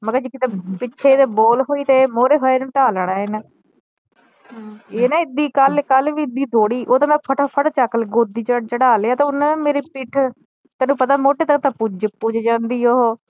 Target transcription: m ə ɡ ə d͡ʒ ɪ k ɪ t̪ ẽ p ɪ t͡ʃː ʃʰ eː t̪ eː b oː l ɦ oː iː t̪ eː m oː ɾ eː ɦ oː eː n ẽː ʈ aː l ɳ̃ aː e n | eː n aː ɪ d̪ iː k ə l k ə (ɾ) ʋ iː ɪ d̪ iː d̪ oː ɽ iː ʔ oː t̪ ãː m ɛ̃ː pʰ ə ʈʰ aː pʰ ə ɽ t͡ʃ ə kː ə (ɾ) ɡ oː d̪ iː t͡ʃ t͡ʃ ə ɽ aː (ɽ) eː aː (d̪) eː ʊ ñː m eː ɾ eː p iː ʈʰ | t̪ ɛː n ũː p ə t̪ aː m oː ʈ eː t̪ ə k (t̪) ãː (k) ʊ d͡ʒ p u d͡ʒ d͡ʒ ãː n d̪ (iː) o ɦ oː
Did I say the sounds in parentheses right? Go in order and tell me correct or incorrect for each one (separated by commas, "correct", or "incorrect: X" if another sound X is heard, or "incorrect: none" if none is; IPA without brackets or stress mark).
incorrect: l, incorrect: l, incorrect: l, incorrect: t̪, correct, incorrect: p, correct